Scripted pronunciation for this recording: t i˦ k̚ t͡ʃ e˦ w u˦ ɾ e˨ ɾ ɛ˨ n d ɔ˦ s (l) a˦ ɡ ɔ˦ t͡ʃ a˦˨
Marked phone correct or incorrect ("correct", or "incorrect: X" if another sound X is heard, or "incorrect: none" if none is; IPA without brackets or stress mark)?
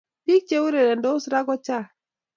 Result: incorrect: ɾ